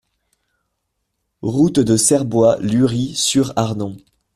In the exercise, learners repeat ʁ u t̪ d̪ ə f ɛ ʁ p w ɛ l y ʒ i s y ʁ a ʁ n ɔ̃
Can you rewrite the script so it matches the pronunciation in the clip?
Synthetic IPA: ʁ u t̪ d̪ ə s ɛ ʁ b w a l y ʁ i s y ʁ a ʁ n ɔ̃